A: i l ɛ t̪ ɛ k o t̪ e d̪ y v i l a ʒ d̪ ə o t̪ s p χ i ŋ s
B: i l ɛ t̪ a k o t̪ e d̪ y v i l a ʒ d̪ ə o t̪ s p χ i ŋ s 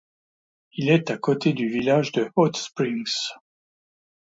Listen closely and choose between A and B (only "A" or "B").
B